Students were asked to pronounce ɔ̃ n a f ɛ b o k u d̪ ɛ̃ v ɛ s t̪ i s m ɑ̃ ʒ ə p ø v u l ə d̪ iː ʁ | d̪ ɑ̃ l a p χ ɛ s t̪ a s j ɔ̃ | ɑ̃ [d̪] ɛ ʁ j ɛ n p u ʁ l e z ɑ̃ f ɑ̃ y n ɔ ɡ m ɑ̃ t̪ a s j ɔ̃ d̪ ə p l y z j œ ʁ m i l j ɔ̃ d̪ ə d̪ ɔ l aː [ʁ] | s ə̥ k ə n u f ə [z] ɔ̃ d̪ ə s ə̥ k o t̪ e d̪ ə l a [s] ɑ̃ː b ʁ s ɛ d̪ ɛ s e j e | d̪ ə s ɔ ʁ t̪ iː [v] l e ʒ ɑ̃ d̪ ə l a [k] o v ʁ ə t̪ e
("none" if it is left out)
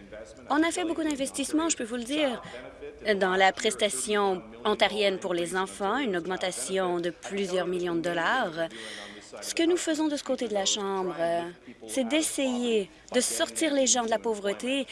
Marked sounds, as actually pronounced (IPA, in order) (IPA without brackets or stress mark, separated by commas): t̪, ʁ, z, ʃ, ʁ, p